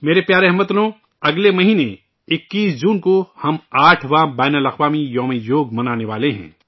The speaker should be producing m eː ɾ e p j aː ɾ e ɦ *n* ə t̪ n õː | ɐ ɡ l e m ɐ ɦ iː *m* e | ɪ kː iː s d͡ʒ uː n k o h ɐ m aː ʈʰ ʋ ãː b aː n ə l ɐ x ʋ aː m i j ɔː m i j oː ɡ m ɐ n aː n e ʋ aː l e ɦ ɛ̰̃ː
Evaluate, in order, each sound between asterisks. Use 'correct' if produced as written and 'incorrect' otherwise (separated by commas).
incorrect, incorrect